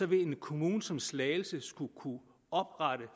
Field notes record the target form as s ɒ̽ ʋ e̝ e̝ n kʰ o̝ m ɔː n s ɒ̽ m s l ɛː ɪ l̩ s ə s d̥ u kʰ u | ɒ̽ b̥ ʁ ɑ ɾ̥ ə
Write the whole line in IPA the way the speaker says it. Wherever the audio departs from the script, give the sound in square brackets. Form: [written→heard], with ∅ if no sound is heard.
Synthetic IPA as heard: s ɒ̽ ʋ e̝ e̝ n kʰ o̝ m [ɔː→uː] n s ɒ̽ m s l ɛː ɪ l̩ s ə s [d̥→ɡ̥] u kʰ u | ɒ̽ b̥ ʁ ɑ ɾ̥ ə